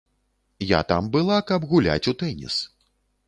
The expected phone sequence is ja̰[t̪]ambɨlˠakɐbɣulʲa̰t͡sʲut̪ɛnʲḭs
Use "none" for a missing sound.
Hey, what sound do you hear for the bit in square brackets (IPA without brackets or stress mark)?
t̪